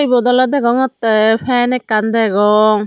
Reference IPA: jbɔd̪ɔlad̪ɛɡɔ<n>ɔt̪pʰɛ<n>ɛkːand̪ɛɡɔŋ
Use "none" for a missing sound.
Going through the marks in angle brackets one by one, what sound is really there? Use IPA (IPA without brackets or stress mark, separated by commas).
ŋ, n